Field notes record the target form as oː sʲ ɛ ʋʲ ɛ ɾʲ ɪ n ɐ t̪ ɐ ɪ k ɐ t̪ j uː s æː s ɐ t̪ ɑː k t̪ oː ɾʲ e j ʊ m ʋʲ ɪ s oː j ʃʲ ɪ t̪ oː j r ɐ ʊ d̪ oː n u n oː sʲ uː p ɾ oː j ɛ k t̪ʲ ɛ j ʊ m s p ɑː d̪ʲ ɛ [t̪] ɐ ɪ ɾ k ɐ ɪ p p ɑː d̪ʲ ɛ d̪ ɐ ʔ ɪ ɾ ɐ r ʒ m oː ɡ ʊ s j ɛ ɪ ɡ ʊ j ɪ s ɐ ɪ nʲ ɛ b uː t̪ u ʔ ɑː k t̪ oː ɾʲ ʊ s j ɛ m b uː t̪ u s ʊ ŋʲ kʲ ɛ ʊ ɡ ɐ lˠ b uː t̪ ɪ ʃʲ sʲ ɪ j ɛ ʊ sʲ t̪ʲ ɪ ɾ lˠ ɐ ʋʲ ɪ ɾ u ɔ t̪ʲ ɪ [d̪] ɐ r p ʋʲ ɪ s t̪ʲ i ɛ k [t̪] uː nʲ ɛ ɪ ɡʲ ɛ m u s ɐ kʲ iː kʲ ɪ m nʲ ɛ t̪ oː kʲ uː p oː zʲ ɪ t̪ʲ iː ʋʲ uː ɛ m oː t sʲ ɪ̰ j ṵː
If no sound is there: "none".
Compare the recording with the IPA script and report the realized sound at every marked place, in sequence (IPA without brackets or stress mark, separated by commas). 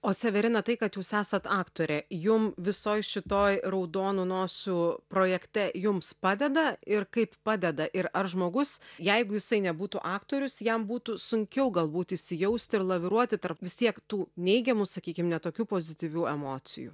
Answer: d̪, t̪, t̪